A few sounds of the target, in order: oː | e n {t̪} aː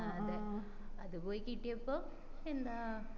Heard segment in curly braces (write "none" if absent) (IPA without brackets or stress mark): d̪